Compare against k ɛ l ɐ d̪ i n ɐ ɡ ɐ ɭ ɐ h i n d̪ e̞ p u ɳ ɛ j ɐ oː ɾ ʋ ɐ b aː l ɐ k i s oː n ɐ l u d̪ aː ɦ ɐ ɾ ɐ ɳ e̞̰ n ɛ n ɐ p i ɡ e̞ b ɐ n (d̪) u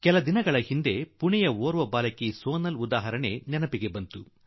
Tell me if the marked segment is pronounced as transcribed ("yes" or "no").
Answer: no